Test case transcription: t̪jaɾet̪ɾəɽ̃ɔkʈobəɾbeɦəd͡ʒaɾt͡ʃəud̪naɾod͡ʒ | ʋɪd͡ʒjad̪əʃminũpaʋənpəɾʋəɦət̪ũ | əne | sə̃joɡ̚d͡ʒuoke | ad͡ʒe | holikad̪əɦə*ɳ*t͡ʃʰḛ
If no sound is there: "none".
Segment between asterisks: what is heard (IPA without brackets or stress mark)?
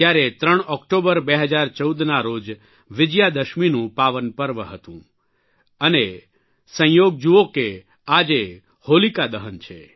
n